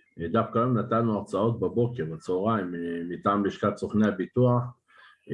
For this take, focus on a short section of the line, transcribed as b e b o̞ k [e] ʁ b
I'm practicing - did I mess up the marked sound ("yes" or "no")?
no